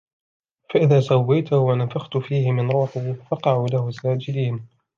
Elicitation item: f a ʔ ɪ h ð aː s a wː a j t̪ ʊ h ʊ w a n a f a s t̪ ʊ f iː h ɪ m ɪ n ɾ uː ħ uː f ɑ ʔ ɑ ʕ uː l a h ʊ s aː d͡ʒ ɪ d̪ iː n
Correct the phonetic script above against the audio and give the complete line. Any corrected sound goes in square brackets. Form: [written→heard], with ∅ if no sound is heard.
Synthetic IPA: f a ʔ ɪ [h→∅] ð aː s a wː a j t̪ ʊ h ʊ w a n a f a [s→x] t̪ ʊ f iː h ɪ m ɪ n ɾ uː ħ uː f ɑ [ʔ→q] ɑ ʕ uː l a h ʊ s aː d͡ʒ ɪ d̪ iː n